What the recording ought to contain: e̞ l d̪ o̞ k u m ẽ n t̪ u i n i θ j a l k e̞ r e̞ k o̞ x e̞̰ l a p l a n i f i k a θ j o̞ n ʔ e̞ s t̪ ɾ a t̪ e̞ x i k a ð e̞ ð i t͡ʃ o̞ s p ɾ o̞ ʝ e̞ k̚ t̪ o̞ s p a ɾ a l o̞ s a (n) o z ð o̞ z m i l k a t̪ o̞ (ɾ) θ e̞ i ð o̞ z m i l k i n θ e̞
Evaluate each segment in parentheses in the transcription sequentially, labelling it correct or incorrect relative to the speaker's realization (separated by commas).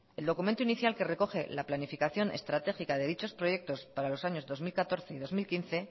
incorrect, correct